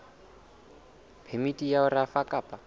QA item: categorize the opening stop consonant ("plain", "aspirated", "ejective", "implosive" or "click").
aspirated